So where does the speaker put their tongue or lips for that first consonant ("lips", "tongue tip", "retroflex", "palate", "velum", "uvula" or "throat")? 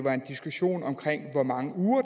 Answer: lips